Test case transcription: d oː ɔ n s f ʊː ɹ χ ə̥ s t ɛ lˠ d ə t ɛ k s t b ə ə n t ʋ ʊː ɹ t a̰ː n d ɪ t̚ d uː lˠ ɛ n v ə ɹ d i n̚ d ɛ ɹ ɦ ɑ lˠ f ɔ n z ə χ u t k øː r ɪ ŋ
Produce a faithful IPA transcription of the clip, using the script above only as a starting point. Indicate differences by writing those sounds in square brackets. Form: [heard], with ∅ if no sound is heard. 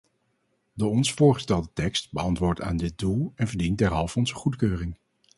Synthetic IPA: d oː ɔ n s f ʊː ɹ χ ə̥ s t ɛ lˠ d ə t ɛ k s t b ə [ɑ] n t ʋ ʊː ɹ t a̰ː n d ɪ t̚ d [u] lˠ ɛ n v ə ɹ d i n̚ d ɛ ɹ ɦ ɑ lˠ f ɔ n z ə χ u t k øː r ɪ ŋ